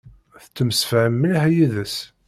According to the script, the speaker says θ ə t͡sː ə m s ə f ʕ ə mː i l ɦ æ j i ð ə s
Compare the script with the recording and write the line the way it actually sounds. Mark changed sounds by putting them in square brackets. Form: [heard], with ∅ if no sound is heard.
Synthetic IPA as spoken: θ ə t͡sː ə m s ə f ʕ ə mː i l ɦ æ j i ð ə s